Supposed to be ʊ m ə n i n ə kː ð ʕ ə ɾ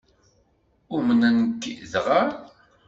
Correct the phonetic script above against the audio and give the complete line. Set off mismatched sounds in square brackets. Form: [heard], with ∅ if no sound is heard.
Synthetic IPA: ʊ m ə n [æ] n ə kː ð [ʁ] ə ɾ